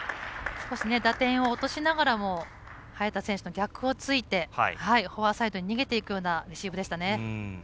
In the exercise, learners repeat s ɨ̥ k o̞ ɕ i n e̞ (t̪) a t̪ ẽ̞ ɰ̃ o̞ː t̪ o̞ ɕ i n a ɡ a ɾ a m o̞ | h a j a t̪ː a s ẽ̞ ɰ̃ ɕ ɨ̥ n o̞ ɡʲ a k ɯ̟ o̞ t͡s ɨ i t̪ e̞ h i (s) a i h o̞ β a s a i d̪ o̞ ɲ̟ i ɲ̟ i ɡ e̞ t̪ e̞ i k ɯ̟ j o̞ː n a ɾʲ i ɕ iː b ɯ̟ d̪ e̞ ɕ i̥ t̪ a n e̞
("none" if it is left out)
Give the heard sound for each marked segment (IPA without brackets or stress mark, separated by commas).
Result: d̪, h